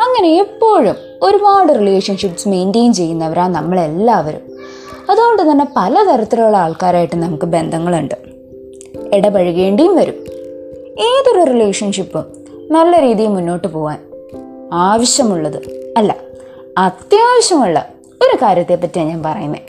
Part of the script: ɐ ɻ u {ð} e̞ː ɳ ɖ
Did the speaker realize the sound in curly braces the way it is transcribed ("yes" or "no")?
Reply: no